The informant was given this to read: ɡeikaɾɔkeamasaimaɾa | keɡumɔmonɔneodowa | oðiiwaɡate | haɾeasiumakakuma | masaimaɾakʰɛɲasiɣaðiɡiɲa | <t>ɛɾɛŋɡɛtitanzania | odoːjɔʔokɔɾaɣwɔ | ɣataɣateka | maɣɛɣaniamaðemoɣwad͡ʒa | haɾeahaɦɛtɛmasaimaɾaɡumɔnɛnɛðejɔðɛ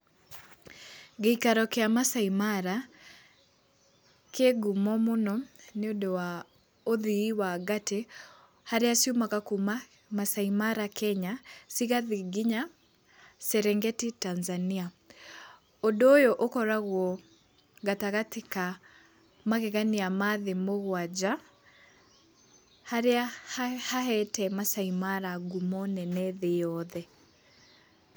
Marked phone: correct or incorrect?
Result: incorrect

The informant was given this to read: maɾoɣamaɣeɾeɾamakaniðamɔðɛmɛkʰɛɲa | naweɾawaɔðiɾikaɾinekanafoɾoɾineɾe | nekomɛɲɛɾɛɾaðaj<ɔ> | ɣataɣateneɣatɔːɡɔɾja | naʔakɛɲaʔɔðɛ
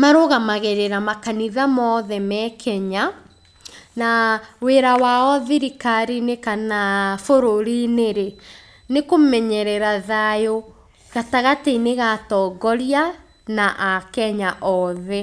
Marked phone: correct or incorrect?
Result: incorrect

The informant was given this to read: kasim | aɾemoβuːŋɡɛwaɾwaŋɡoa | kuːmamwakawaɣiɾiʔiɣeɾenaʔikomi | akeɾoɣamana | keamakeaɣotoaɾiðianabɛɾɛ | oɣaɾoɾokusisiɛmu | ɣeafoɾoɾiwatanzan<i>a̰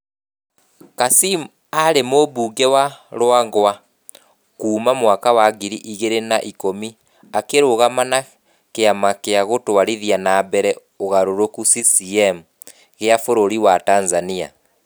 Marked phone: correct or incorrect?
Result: correct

